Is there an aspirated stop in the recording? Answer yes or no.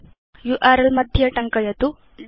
no